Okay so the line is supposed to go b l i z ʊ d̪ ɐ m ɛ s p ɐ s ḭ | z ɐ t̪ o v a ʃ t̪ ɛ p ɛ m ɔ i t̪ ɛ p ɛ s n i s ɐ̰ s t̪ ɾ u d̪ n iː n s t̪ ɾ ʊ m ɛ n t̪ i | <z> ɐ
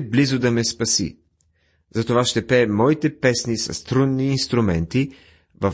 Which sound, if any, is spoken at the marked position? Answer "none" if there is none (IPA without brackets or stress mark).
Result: v